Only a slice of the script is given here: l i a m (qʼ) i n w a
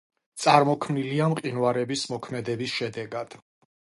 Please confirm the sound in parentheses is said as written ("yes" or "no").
yes